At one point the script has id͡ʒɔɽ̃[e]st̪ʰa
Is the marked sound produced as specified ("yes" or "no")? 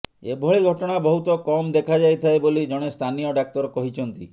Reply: yes